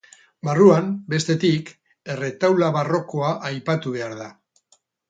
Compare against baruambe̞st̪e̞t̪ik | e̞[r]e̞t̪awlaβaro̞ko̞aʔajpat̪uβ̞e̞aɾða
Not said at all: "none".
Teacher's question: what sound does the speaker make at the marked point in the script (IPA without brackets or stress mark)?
r